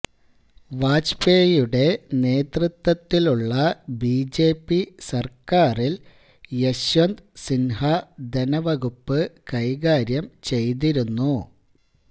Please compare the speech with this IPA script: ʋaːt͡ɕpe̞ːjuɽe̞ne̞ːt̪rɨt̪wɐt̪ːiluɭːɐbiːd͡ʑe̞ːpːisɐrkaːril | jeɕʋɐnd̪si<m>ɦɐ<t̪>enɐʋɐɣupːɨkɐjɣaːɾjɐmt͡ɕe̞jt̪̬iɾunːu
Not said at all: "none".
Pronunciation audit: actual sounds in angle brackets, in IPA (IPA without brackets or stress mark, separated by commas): n, d̪